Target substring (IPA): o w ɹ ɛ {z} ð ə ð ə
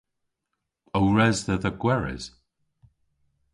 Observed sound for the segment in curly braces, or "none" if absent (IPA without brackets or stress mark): z